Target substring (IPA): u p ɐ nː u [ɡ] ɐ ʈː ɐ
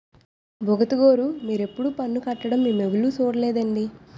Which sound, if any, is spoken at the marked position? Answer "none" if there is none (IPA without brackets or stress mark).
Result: k